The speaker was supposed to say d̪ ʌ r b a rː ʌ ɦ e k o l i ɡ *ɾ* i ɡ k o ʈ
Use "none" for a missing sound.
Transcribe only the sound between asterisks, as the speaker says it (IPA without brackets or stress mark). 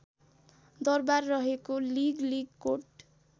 l